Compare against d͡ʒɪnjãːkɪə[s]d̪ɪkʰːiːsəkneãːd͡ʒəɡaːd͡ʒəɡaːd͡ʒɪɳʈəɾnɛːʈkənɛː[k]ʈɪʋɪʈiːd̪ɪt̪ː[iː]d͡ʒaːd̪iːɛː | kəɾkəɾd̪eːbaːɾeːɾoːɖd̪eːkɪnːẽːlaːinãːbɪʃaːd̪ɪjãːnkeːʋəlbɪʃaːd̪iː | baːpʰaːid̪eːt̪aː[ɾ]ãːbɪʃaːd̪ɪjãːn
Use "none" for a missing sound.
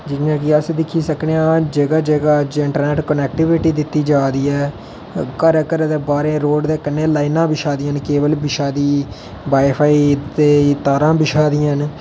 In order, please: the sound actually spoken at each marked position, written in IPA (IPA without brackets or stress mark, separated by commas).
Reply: s, k, iː, ɾ